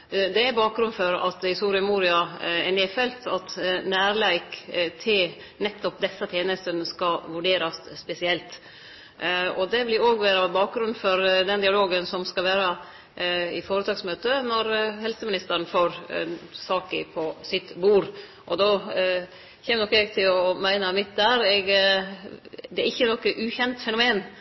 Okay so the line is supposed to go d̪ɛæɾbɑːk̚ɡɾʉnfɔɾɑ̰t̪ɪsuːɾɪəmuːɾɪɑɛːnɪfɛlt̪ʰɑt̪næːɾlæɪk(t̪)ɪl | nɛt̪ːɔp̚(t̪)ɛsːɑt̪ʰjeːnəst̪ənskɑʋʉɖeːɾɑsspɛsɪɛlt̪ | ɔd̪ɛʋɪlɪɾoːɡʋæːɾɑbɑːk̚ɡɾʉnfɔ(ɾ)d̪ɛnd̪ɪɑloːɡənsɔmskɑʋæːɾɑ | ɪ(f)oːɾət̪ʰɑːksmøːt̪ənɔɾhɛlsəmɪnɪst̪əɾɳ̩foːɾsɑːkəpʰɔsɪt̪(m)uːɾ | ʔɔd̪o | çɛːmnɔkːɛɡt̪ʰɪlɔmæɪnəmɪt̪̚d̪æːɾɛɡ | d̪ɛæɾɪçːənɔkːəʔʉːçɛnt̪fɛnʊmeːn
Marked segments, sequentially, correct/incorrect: incorrect, incorrect, correct, correct, incorrect

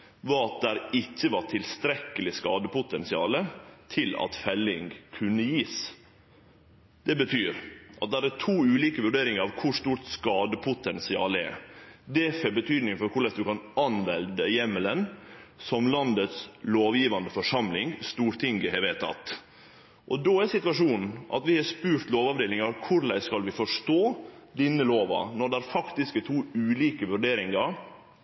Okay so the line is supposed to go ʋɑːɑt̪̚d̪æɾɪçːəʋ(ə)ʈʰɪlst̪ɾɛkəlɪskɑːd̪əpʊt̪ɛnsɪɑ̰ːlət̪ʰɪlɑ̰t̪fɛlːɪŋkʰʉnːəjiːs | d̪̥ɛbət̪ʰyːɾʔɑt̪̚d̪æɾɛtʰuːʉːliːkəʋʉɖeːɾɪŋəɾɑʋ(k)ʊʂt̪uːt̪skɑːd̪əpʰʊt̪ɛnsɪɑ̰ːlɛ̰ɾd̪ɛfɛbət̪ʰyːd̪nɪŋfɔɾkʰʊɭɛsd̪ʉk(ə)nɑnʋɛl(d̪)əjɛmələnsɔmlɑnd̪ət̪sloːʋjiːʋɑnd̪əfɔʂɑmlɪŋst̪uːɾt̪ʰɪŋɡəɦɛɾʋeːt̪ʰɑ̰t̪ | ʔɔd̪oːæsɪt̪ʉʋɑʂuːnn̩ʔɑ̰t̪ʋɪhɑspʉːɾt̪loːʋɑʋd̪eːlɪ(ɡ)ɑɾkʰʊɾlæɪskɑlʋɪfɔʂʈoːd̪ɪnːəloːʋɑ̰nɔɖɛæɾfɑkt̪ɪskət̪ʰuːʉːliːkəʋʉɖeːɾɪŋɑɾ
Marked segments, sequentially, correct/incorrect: incorrect, incorrect, incorrect, correct, incorrect

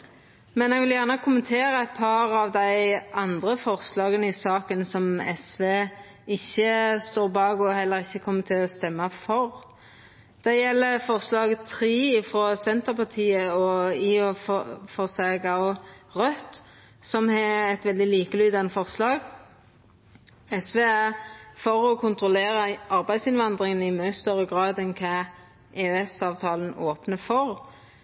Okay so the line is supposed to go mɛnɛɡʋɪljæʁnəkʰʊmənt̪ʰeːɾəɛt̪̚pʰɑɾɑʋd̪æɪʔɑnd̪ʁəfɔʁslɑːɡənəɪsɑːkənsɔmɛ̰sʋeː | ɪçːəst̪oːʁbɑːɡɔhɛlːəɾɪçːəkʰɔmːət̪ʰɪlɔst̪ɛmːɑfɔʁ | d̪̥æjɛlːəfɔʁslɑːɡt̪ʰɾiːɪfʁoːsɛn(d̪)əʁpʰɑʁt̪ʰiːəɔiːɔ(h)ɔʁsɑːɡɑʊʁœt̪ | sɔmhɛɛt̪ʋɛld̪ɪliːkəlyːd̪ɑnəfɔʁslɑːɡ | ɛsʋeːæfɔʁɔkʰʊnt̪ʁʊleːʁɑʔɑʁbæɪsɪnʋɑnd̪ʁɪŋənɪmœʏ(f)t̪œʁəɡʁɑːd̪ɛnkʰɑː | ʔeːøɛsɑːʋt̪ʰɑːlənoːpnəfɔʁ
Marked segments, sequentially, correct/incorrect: incorrect, incorrect, incorrect

